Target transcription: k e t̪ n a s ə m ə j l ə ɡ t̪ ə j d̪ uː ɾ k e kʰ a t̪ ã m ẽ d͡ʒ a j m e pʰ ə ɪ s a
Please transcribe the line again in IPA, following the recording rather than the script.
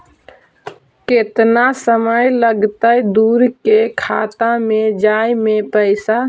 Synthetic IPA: k e t̪ n a s ə m ə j l ə ɡ t̪ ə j d̪ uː ɾ k e kʰ a t̪ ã m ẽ d͡ʒ a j m e p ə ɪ s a